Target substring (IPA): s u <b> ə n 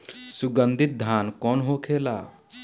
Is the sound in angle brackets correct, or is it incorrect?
incorrect